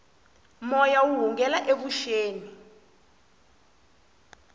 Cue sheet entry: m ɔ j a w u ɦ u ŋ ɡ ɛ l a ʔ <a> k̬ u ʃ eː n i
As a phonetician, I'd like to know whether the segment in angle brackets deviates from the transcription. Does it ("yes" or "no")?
yes